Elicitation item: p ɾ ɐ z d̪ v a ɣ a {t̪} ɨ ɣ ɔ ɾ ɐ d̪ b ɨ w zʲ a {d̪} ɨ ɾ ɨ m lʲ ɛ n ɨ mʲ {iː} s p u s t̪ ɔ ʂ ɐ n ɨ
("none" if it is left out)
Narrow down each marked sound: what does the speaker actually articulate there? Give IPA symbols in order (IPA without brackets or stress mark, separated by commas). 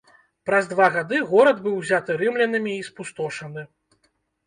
d̪, t̪, iː